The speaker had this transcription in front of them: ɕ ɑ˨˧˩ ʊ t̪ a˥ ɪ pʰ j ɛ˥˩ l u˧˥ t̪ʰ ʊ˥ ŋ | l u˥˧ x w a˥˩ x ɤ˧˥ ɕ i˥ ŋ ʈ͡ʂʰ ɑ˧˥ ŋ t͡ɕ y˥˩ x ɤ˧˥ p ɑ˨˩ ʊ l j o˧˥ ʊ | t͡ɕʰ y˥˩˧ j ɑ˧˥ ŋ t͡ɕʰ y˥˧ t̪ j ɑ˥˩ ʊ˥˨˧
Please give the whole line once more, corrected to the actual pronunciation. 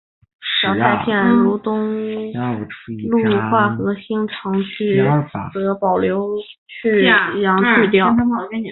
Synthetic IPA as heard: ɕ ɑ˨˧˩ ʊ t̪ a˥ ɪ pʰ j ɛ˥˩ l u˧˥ t̪ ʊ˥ ŋ | l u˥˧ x w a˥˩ x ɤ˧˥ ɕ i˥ ŋ ʈ͡ʂʰ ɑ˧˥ ŋ t͡ɕʰ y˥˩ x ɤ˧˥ p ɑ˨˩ ʊ l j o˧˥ ʊ | t͡ɕʰ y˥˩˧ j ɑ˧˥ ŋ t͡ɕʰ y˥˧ t̪ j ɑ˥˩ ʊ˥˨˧

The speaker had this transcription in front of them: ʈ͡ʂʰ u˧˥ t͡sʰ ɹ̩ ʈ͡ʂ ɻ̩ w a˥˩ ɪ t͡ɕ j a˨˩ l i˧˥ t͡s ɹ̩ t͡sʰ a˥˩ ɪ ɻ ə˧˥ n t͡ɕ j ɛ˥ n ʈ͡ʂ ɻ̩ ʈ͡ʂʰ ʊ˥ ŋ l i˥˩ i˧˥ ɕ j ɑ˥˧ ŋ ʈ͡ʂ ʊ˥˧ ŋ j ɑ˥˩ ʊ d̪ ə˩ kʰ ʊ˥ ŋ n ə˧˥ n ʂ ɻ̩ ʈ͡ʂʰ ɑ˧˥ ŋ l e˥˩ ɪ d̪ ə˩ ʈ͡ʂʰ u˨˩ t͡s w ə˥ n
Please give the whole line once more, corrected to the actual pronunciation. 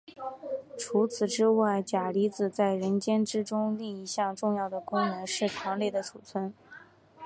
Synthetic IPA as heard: ʈ͡ʂʰ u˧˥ t͡sʰ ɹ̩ ʈ͡ʂ ɻ̩ w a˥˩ ɪ t͡ɕ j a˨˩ l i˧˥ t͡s ɹ̩ t͡s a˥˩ ɪ ɻ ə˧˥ n t͡ɕ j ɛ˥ n ʈ͡ʂ ɻ̩ ʈ͡ʂ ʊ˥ ŋ l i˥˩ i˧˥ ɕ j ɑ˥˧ ŋ ʈ͡ʂ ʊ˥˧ ŋ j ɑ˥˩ ʊ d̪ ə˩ k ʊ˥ ŋ n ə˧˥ n ʂ ɻ̩ ʈ͡ʂʰ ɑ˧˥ ŋ l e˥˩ ɪ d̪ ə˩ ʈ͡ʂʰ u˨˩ t͡sʰ w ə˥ n

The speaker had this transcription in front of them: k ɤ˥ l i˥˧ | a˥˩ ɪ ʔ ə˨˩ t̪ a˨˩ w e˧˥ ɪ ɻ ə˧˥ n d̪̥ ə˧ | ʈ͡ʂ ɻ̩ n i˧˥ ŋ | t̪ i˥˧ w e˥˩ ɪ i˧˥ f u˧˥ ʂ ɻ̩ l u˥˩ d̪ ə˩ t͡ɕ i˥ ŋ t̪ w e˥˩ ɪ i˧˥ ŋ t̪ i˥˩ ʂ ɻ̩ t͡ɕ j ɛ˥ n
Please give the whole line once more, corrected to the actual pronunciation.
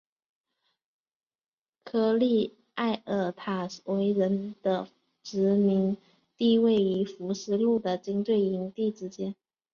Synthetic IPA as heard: kʰ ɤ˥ l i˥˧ | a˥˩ ɪ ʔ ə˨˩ t̪ʰ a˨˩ w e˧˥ ɪ ɻ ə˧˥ n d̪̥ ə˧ | ʈ͡ʂ ɻ̩ m i˧˥ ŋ | t̪ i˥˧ w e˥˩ ɪ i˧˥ f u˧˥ ʂ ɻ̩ l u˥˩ d̪ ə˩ t͡ɕ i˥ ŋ t̪ w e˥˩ ɪ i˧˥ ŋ t̪ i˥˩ ʈ͡ʂ ɻ̩ t͡ɕ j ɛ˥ n

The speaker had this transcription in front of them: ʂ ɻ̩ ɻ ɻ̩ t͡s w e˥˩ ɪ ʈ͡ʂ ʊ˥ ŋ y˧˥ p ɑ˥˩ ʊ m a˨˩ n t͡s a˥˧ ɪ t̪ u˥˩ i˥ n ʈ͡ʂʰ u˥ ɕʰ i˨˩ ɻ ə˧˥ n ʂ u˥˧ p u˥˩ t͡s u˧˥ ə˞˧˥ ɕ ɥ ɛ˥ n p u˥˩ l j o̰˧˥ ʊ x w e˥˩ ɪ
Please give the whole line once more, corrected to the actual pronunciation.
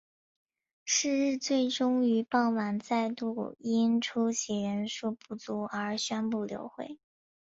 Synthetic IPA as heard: ʂ ɻ̩ ɻ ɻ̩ t͡s w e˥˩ ɪ ʈ͡ʂ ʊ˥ ŋ y˧˥ p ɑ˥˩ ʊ m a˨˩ n t͡s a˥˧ ɪ t̪ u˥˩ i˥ n ʈ͡ʂʰ u˥ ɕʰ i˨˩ ɻ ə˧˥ n ʂ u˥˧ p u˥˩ t͡s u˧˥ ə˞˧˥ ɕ ɥ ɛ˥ n p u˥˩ l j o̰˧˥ ʊ x w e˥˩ ɪ

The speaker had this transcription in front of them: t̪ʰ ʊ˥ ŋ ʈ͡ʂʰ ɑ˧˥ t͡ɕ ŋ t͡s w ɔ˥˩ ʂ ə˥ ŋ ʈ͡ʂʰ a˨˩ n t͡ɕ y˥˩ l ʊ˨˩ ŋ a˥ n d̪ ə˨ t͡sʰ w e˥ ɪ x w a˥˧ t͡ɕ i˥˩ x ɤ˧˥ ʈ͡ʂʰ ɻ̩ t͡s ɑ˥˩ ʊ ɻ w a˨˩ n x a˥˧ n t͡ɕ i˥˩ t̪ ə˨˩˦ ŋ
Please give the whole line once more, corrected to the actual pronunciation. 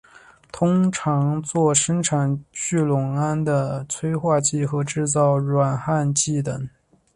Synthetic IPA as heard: t̪ʰ ʊ˥ ŋ ʈ͡ʂʰ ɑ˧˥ ŋ t͡s w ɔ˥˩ ʂ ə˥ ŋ ʈ͡ʂʰ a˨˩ n t͡ɕ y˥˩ l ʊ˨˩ ŋ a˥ n d̪ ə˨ t͡sʰ w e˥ ɪ x w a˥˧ t͡ɕ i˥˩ x ɤ˧˥ ʈ͡ʂ ɻ̩ t͡s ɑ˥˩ ʊ ɻ w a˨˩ n x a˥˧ n t͡ɕ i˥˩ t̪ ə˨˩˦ ŋ

